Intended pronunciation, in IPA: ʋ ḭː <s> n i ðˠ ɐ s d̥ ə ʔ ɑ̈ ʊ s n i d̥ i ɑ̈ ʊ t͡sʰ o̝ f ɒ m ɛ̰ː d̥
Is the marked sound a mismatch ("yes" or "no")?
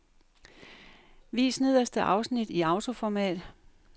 no